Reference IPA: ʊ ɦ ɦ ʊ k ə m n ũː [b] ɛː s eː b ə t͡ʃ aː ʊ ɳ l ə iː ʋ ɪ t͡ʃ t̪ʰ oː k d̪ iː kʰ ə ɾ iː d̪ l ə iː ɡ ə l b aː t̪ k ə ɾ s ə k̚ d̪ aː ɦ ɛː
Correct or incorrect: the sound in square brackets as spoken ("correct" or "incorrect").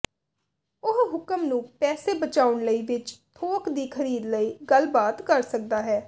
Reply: incorrect